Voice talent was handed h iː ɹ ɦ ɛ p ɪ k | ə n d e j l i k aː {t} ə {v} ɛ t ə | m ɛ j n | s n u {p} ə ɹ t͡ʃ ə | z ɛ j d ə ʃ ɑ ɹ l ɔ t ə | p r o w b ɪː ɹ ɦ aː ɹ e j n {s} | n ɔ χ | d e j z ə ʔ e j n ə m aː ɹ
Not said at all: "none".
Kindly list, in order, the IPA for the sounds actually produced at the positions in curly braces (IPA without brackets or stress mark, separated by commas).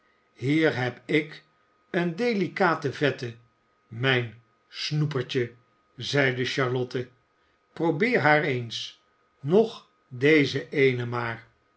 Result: t, v, p, s